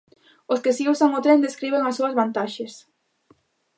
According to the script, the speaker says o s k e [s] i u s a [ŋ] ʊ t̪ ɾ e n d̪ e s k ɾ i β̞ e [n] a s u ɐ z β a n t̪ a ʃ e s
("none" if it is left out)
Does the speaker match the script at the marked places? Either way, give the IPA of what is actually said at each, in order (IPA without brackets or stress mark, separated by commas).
s, ŋ, ŋ